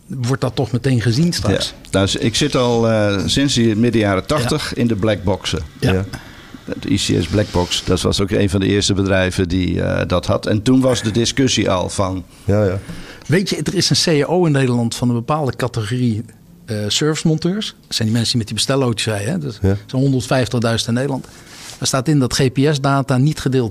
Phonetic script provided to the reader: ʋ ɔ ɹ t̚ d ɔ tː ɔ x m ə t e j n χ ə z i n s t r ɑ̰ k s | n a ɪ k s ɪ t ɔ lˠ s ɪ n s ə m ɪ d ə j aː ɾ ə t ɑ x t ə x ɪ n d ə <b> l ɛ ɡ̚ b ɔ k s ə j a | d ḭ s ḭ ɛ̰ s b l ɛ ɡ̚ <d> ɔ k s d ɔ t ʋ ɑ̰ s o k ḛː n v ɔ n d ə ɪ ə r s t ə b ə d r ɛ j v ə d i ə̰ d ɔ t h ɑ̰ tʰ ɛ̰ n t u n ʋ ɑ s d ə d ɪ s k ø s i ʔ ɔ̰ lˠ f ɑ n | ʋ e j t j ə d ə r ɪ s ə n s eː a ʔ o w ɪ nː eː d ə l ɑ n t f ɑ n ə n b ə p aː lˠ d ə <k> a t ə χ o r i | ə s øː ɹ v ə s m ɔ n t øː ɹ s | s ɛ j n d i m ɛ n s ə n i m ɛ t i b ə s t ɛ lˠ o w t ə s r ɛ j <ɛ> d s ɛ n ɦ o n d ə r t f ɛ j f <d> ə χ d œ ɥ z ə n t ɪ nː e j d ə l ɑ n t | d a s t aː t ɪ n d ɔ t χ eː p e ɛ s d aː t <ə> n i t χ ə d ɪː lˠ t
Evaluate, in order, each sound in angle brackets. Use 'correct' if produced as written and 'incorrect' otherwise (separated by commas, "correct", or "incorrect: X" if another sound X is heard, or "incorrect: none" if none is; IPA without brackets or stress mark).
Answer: correct, incorrect: b, correct, correct, incorrect: t, incorrect: a